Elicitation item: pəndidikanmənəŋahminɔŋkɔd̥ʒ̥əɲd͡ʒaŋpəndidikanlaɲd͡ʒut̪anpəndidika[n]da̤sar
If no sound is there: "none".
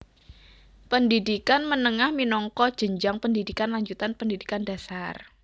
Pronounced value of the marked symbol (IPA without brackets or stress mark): n